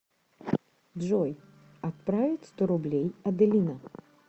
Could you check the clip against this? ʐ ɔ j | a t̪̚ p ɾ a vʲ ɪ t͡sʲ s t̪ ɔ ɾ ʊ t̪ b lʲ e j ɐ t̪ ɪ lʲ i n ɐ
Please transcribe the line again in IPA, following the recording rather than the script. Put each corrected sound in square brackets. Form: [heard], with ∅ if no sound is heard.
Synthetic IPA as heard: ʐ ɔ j | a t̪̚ p ɾ a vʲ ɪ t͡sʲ s t̪ ɔ ɾ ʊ [∅] b lʲ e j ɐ [d̪] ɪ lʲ i n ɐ

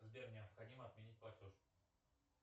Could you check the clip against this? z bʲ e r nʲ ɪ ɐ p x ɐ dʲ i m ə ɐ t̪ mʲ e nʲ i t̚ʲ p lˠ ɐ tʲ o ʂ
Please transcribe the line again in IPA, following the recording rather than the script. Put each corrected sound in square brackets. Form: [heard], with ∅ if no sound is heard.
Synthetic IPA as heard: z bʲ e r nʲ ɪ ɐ p x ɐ dʲ i m ə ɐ t̪ mʲ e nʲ i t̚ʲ p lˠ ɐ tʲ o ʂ

